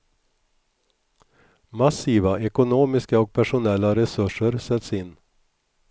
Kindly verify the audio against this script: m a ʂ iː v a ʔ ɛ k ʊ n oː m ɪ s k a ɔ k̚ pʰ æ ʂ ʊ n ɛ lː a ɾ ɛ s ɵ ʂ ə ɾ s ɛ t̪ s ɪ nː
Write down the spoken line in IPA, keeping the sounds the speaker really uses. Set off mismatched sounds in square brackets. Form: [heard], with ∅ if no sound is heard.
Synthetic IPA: m a [s] iː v a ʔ ɛ k ʊ n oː m ɪ s k a ɔ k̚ pʰ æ ʂ ʊ n ɛ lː a ɾ ɛ s ɵ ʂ ə ɾ s ɛ t̪ s ɪ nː